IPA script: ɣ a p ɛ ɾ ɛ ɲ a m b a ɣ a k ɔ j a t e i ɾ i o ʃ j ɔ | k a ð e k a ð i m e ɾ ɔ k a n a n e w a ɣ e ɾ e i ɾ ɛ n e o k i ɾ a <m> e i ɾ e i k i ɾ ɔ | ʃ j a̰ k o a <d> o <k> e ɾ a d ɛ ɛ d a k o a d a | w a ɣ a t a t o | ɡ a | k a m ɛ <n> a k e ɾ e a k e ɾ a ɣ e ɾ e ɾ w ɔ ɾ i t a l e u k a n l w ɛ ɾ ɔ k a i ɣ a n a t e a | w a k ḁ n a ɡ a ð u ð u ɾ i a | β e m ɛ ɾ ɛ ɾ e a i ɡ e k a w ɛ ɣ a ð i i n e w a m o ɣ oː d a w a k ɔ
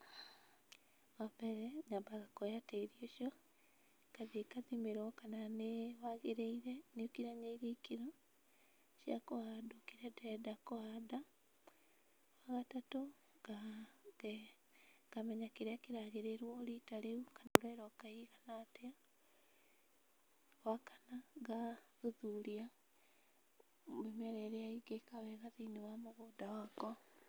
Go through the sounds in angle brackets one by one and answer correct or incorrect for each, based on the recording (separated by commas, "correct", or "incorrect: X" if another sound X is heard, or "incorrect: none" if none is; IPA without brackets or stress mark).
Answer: incorrect: ɲ, correct, correct, incorrect: ɲ